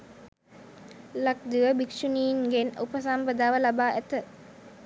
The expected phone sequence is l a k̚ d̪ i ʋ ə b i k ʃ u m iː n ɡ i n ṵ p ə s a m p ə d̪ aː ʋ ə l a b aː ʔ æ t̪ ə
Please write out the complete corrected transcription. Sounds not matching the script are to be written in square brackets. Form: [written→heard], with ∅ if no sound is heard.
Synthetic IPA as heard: l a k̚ d̪ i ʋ ə b i k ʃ u [m→n] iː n ɡ [i→e] n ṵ p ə s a m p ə d̪ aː ʋ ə l a b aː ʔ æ t̪ ə